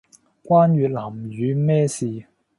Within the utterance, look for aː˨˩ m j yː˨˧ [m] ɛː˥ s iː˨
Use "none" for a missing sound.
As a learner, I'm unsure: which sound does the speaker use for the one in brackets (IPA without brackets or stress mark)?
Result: m